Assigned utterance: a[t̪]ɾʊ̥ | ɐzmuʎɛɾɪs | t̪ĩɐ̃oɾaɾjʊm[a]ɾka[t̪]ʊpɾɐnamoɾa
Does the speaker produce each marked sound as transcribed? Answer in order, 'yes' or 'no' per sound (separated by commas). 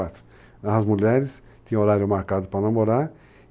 yes, yes, no